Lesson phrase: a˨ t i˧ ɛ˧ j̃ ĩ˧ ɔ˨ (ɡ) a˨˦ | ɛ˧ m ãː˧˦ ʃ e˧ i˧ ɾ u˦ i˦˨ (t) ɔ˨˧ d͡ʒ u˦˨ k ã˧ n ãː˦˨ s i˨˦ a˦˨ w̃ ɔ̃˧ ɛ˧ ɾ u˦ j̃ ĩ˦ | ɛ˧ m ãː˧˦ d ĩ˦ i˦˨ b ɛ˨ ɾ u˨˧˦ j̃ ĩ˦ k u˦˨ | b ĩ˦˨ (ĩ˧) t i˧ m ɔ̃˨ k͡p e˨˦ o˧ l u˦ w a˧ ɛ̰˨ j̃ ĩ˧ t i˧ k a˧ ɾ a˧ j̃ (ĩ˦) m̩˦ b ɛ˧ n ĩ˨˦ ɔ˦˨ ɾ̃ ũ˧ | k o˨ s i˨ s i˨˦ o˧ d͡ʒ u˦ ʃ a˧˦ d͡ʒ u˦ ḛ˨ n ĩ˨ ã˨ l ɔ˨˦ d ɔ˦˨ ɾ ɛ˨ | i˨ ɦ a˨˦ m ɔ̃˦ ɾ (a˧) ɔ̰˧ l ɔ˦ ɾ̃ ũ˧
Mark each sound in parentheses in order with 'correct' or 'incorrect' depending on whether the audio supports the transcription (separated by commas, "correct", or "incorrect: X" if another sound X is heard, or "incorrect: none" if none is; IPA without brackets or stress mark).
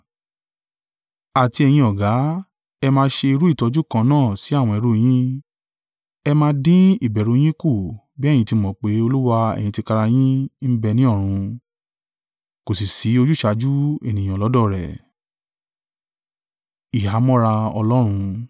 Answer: correct, correct, correct, correct, correct